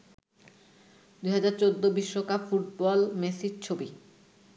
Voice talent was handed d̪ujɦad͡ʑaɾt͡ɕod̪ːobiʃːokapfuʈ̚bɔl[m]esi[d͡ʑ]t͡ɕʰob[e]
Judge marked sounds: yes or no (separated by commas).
yes, yes, no